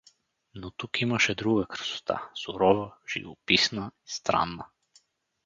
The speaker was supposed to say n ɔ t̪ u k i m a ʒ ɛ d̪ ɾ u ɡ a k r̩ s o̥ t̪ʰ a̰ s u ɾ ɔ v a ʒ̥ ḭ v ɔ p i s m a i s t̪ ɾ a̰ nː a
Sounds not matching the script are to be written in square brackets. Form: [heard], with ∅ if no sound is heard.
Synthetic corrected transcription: n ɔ t̪ u k i m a [ʃ] ɛ d̪ ɾ u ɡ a k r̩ s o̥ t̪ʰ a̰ s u ɾ ɔ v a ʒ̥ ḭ v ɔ p i s [n] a i s t̪ ɾ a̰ nː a